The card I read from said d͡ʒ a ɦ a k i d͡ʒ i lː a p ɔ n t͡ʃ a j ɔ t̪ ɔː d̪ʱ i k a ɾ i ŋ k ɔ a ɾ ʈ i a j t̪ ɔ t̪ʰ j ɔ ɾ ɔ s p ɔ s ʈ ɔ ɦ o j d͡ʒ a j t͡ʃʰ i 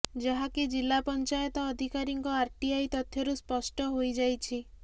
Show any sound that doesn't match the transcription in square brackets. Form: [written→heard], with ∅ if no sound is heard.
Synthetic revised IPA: d͡ʒ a ɦ a k i d͡ʒ i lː a p ɔ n t͡ʃ a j ɔ t̪ ɔː d̪ʱ i k a ɾ i ŋ k ɔ a ɾ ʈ i a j t̪ ɔ t̪ʰ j ɔ ɾ [ɔ→u] s p ɔ s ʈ ɔ ɦ o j d͡ʒ a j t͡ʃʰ i